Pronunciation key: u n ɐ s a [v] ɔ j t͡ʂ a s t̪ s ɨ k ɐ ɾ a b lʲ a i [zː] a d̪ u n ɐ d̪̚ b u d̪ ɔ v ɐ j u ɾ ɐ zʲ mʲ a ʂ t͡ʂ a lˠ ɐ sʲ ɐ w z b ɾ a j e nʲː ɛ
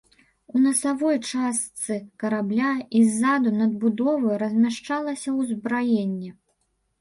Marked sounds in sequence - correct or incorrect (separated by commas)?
correct, correct